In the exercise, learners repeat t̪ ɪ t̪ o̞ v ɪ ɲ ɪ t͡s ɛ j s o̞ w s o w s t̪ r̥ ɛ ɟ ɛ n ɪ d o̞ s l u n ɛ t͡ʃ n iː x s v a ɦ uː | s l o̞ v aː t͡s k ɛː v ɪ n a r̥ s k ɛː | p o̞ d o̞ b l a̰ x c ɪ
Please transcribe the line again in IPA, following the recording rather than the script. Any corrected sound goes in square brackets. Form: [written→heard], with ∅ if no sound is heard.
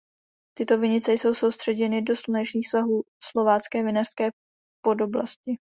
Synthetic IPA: t̪ ɪ t̪ o̞ v ɪ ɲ ɪ t͡s ɛ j s o̞ w s o w s t̪ r̥ ɛ ɟ ɛ n ɪ d o̞ s l u n ɛ t͡ʃ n iː x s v a ɦ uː | s l o̞ v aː t͡s k ɛː v ɪ n a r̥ s k ɛː | p o̞ d o̞ b l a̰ [x→s] c ɪ